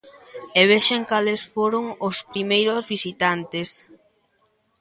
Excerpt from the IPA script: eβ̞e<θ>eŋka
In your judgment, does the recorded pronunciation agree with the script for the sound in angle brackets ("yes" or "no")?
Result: no